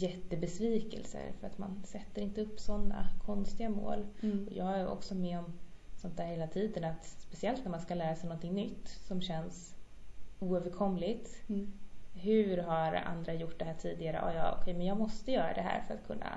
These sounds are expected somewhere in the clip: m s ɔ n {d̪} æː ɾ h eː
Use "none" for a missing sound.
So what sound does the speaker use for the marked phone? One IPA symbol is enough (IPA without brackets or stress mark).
t̪